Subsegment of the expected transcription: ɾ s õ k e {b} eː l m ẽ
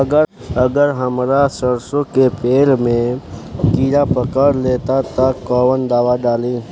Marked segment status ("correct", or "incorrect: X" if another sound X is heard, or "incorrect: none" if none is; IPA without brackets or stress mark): incorrect: p